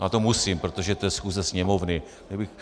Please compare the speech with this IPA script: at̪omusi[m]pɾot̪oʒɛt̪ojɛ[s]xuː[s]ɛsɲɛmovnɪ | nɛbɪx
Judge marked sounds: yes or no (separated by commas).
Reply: yes, yes, no